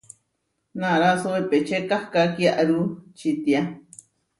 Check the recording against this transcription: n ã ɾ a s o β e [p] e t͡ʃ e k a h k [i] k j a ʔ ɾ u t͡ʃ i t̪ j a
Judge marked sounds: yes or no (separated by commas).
yes, no